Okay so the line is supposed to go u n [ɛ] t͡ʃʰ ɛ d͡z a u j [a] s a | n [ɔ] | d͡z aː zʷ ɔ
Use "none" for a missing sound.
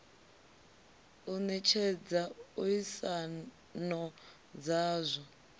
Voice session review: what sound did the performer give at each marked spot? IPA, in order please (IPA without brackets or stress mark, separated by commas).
ɛ, i, ɔ